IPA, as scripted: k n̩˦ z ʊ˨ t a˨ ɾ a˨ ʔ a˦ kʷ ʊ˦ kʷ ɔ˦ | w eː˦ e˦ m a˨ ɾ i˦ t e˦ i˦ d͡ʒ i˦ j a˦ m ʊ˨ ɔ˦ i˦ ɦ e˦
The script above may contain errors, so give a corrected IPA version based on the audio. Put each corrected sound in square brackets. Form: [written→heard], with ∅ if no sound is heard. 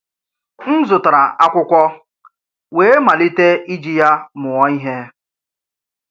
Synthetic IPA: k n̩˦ z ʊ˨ t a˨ ɾ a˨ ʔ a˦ kʷ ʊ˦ kʷ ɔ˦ | w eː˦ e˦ m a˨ [ɾ→l] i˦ t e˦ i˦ d͡ʒ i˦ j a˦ m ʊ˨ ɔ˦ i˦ ɦ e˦